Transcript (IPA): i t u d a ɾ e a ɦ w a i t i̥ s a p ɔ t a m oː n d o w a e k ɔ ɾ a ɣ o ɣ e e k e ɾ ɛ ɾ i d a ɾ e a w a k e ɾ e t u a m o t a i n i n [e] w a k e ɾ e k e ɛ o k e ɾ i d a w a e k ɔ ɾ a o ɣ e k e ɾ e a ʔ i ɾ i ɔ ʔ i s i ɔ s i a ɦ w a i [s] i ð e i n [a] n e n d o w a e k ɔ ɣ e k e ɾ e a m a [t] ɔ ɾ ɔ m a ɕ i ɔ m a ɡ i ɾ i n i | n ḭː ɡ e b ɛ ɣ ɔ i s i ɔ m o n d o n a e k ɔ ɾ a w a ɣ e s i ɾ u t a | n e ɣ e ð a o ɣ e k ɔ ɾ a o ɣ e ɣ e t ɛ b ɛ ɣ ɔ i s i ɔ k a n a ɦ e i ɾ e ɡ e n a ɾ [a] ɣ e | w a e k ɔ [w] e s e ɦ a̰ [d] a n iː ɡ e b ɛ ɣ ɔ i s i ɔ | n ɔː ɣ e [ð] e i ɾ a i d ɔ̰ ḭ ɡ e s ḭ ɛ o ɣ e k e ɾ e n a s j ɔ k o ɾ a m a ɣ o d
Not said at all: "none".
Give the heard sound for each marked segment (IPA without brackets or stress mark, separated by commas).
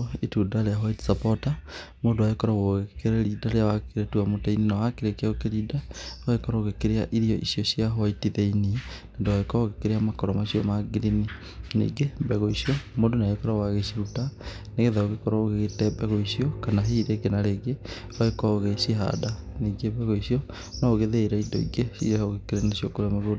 a, t, i, k, e, ɣ, d, ð